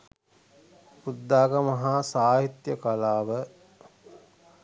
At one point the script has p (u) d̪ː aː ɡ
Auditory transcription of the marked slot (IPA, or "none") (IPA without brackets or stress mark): u